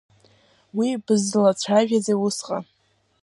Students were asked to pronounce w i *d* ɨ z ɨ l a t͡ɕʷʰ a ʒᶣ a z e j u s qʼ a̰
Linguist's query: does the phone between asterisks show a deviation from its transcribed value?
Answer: yes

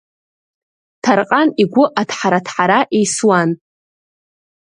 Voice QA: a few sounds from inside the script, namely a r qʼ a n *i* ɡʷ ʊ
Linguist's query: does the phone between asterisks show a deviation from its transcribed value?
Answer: no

